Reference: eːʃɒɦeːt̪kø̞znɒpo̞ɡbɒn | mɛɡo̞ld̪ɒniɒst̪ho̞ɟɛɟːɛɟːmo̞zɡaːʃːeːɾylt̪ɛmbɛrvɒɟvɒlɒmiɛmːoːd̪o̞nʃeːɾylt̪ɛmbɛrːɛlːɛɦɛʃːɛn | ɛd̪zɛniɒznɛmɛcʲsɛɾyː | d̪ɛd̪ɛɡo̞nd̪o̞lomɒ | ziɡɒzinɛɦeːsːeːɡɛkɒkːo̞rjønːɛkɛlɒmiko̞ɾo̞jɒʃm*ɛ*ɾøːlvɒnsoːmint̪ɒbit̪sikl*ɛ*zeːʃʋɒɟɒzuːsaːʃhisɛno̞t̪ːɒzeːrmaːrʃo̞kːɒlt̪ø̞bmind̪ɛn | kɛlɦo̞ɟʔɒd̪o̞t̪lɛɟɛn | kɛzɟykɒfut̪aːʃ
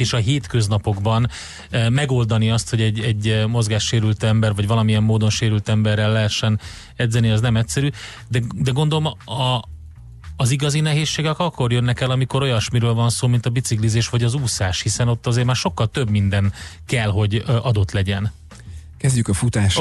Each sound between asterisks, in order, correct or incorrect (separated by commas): incorrect, incorrect